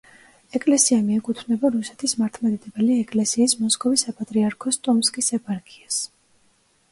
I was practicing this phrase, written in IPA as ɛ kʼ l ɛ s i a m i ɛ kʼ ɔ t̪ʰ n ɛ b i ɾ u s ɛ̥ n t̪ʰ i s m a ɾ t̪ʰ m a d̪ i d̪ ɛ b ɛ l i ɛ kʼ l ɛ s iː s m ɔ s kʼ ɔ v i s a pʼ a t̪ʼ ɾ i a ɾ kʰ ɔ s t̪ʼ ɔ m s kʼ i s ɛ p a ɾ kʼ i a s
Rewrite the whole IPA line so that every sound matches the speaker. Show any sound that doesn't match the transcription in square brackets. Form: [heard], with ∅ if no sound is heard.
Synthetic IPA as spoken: ɛ kʼ l ɛ s i a m i ɛ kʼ [u] t̪ʰ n ɛ b [a] ɾ u s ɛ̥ [∅] t̪ʰ i s m a ɾ t̪ʰ m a d̪ i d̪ ɛ b ɛ l i ɛ kʼ l ɛ s iː s m ɔ s kʼ ɔ v i s a pʼ a t̪ʼ ɾ i a ɾ kʰ ɔ s t̪ʼ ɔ m s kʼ i s ɛ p a ɾ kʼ i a s

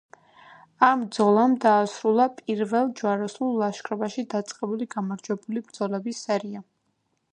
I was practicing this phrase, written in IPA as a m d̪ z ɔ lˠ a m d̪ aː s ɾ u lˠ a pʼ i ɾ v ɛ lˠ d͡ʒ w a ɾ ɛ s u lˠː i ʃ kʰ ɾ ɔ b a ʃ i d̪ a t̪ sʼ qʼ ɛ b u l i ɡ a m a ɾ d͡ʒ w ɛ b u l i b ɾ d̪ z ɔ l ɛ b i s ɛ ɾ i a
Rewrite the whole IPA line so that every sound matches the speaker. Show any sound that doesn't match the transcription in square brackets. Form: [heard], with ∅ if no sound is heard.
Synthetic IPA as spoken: a m d̪ z ɔ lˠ a m d̪ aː s ɾ u lˠ a pʼ i ɾ v ɛ lˠ d͡ʒ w a ɾ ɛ s u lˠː [a] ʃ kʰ ɾ ɔ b a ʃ i d̪ a t̪ sʼ qʼ ɛ b u l i ɡ a m a ɾ d͡ʒ w ɛ b u l i b ɾ d̪ z ɔ l ɛ b i s ɛ ɾ i a

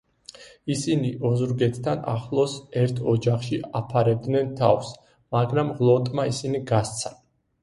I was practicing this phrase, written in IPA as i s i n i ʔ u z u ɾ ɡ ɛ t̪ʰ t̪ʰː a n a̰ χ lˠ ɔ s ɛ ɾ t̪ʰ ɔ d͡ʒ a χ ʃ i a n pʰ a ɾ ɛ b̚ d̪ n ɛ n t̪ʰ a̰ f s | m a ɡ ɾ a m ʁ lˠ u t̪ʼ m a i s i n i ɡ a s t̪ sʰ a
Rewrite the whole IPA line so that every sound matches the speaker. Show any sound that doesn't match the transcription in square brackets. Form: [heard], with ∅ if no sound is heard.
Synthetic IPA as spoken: i s i n i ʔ [ɔ] z u ɾ ɡ ɛ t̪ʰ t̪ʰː a n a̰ χ lˠ ɔ s ɛ ɾ t̪ʰ ɔ d͡ʒ a χ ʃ i a [∅] pʰ a ɾ ɛ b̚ d̪ n ɛ n t̪ʰ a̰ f s | m a ɡ ɾ a m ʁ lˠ [ɔ] t̪ʼ m a i s i n i ɡ a s t̪ sʰ a

